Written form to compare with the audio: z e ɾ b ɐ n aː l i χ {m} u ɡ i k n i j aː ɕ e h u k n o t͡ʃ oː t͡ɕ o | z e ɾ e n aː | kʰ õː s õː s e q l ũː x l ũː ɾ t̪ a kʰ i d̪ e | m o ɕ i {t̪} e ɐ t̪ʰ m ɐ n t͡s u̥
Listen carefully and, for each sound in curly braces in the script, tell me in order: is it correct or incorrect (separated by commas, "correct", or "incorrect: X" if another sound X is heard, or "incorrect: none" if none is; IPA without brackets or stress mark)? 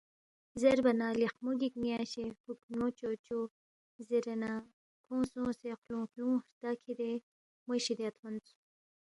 correct, incorrect: d̪